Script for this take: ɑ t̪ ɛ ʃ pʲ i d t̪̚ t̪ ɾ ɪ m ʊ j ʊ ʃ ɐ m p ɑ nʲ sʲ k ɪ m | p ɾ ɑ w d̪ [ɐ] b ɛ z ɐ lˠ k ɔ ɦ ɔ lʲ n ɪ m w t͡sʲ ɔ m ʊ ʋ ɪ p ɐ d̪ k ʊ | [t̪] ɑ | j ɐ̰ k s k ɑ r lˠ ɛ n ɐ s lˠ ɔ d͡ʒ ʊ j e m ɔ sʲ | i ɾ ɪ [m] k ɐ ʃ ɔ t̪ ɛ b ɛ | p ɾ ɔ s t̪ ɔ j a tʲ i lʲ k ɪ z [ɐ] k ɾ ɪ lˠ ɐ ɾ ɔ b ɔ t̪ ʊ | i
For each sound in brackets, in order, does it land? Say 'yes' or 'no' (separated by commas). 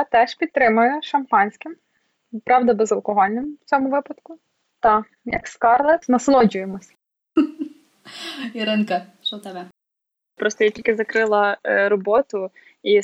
yes, yes, no, yes